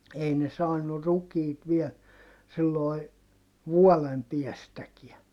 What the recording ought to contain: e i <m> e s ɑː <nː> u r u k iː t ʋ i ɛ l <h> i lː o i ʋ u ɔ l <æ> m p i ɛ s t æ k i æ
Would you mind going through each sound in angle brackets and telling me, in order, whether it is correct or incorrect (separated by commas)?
incorrect, correct, incorrect, incorrect